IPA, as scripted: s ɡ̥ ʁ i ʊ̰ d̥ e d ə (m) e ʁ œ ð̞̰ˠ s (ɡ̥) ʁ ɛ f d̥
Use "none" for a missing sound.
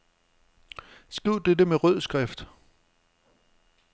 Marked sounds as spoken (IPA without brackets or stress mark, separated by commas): m, ɡ̥